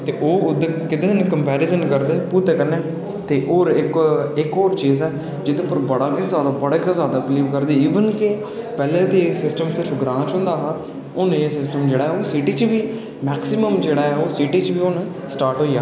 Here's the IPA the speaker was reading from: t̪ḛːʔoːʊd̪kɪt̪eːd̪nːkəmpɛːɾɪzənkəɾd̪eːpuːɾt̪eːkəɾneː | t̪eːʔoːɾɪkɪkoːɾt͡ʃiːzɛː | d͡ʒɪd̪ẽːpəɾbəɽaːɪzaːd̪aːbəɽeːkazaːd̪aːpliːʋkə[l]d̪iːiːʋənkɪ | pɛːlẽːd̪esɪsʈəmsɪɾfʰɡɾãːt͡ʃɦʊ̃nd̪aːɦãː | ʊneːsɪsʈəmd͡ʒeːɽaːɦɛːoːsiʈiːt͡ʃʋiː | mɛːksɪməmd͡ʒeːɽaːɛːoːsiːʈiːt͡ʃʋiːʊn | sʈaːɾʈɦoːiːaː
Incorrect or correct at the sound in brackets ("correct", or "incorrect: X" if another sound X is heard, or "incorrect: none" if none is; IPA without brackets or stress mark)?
incorrect: ɾ